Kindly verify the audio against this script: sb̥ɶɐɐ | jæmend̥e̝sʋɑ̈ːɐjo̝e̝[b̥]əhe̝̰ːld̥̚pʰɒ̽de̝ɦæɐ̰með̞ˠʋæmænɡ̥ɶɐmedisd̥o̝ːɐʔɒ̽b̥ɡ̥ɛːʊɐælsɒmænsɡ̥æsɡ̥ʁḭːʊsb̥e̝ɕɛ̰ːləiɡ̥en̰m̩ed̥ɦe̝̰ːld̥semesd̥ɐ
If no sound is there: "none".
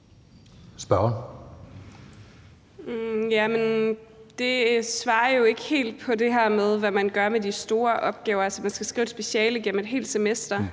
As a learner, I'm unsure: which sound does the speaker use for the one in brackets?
ɡ̥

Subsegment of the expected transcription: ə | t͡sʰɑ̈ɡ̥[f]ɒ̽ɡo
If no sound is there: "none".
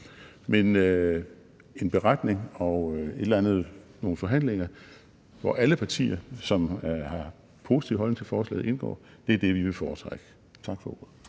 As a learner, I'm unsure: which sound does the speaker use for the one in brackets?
f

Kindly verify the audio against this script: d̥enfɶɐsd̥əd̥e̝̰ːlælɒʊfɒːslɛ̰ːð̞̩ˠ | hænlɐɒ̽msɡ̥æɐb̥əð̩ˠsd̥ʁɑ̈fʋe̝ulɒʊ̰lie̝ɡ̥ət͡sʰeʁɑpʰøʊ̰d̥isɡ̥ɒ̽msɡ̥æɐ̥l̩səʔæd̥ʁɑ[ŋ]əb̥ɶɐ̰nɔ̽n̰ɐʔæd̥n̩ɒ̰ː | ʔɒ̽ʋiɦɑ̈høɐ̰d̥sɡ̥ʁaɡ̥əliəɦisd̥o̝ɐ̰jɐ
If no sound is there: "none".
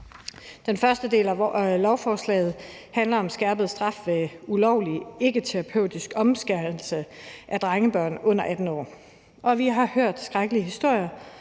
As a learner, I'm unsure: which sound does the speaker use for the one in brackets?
ŋ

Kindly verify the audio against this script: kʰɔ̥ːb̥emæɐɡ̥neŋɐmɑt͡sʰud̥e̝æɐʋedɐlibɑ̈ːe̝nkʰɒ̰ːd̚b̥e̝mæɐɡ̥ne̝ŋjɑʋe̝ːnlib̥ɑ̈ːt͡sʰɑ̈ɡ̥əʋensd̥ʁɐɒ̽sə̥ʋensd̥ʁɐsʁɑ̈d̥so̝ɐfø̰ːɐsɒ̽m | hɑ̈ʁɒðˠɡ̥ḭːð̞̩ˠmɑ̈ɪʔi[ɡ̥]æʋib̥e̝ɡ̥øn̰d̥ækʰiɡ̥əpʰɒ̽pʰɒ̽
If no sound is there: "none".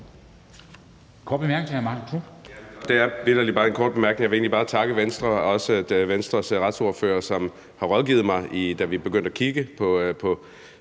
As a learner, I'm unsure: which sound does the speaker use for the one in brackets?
d̥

